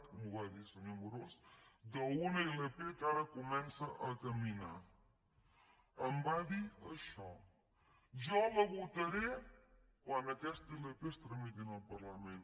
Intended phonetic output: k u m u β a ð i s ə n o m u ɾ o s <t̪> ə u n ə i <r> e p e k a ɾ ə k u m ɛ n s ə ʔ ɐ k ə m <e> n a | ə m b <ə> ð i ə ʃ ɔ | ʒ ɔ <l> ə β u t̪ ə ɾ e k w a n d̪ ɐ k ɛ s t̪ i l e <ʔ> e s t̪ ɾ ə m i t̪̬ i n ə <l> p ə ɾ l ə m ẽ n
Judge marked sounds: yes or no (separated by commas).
no, no, no, no, yes, no, yes